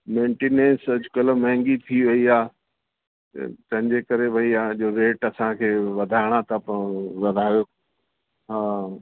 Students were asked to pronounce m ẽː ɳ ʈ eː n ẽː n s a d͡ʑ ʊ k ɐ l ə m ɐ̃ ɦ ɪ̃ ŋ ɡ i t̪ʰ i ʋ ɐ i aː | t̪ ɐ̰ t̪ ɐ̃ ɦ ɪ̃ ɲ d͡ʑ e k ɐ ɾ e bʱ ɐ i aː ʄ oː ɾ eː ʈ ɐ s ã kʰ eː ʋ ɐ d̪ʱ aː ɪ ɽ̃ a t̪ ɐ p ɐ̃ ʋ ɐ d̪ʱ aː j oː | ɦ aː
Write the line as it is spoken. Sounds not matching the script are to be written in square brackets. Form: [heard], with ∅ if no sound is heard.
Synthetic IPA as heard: m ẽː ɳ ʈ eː n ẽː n s [ɐ] d͡ʑ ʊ k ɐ l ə m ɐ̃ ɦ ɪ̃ ŋ ɡ i t̪ʰ i ʋ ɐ i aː | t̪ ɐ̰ t̪ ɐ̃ ɦ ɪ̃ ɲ d͡ʑ e k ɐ ɾ e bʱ ɐ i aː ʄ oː ɾ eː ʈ ɐ s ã kʰ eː ʋ ɐ d̪ʱ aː ɪ ɽ̃ a t̪ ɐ p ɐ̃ ʋ ɐ d̪ʱ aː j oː | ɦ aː